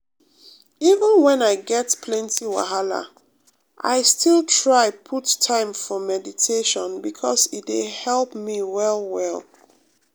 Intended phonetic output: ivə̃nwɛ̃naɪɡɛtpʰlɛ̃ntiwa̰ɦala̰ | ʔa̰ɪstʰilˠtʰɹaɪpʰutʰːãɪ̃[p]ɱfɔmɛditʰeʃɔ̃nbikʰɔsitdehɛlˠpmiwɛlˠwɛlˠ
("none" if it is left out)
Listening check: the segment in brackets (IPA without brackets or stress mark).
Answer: none